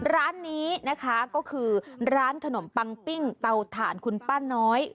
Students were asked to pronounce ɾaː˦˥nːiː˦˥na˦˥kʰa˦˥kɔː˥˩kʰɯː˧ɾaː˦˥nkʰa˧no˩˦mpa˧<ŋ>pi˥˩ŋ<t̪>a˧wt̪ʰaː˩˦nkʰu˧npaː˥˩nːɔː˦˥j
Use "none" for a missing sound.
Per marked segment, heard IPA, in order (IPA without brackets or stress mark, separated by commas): ŋ, t̪